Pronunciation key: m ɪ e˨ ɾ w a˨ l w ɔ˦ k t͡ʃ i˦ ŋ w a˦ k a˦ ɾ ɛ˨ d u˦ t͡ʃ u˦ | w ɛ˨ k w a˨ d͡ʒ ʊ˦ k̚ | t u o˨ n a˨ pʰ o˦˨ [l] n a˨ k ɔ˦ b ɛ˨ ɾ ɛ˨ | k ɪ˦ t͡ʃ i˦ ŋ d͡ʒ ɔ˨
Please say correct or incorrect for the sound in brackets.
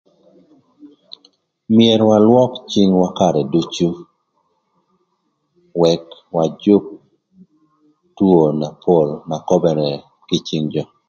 correct